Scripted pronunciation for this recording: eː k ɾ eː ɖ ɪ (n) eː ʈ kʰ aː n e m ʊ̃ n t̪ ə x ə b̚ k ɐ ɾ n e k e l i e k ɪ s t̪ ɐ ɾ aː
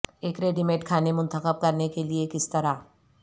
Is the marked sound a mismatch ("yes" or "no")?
yes